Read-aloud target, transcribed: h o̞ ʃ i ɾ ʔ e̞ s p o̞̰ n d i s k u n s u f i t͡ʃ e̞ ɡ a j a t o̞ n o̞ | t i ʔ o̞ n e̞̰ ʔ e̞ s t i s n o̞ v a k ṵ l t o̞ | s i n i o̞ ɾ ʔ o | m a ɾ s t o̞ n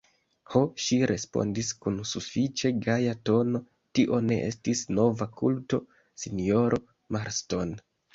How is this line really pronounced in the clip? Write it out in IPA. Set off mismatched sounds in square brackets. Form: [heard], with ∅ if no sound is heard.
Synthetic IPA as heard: h o̞ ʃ i ɾ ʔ e̞ s p o̞̰ n d i s k u n s u f i t͡ʃ e̞ ɡ a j a t o̞ n o̞ | t i ʔ o̞ n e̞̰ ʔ e̞ s t i s n o̞ v a k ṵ l t o̞ | s i n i o̞ ɾ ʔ o | m a ɾ s t o̞ n